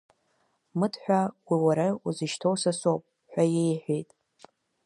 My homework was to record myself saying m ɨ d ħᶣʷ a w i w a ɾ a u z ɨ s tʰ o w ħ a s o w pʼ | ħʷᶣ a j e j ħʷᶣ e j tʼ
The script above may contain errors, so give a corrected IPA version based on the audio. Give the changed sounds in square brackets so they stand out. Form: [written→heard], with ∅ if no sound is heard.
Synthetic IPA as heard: m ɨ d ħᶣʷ a w i w a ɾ a u z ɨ [s→ʃ] tʰ o w [ħ→s] a s o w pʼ | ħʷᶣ a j e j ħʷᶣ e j tʼ